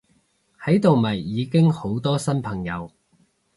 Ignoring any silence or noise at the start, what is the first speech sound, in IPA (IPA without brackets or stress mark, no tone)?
h